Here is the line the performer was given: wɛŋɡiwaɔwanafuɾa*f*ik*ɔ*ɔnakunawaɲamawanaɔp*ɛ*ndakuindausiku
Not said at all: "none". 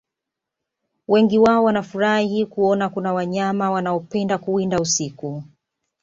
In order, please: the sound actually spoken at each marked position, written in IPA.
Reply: h, u, ɛ

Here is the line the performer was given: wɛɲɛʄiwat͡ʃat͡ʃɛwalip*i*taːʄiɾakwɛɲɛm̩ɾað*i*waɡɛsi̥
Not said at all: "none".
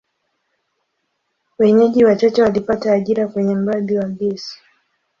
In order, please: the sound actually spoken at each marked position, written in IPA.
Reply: a, i

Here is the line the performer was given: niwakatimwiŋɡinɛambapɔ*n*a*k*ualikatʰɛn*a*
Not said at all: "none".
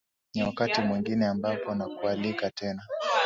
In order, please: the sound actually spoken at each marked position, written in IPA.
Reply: n, k, a

